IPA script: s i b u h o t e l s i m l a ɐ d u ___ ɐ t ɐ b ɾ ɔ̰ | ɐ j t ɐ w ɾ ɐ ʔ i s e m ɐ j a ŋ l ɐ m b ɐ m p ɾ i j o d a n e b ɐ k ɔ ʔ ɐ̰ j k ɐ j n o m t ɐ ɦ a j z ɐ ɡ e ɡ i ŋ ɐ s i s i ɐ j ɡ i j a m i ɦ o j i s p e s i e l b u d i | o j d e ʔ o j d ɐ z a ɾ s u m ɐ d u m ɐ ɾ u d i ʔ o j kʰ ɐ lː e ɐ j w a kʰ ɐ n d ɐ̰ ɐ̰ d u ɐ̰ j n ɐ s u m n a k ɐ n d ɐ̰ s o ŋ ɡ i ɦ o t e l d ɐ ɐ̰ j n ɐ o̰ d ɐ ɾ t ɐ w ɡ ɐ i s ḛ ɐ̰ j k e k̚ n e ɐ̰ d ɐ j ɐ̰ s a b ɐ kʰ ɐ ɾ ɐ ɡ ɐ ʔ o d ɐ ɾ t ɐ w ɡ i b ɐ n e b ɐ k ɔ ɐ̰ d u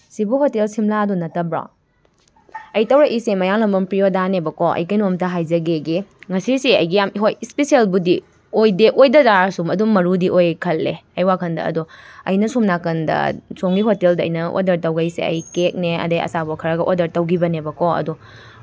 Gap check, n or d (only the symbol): n